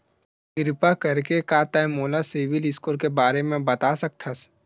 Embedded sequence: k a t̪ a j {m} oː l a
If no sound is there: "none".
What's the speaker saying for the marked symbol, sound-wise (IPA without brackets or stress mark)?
m